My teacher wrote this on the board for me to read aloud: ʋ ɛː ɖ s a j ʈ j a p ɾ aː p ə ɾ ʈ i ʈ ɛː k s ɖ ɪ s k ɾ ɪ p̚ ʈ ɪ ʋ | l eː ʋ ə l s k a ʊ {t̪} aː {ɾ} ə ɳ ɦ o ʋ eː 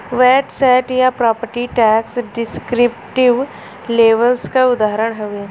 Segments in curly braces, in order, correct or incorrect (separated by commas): incorrect, correct